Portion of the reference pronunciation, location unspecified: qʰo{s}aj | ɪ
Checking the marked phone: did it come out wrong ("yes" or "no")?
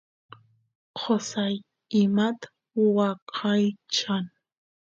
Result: no